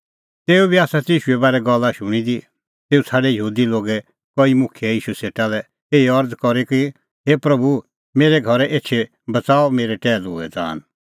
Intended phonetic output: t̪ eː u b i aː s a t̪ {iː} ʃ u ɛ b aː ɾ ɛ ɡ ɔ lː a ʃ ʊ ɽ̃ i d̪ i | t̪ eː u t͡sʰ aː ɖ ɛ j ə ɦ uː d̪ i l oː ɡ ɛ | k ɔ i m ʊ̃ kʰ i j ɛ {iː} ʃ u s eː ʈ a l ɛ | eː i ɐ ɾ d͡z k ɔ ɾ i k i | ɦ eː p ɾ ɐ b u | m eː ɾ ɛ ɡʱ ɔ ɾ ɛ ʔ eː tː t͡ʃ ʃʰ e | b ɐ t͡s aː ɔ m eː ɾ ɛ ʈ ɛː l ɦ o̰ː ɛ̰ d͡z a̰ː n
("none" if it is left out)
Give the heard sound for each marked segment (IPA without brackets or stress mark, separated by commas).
iː, iː